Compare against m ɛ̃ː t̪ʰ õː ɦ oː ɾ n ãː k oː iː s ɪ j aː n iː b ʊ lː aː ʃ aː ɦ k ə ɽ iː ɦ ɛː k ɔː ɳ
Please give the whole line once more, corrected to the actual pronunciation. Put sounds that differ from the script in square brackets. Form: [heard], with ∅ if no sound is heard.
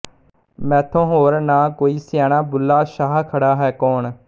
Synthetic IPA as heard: m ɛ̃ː t̪ʰ õː ɦ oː ɾ n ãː k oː iː s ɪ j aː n [aː] b ʊ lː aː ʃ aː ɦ [kʰ] ə ɽ [aː] ɦ ɛː k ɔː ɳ